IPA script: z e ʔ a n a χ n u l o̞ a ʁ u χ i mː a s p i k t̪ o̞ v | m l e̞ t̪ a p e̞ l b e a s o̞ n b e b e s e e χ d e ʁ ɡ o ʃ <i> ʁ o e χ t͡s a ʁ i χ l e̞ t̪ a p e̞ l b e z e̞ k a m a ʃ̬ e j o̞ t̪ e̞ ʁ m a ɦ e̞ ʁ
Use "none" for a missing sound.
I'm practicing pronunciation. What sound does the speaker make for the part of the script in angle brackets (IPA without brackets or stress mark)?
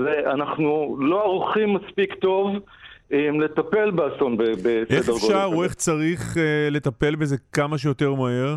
a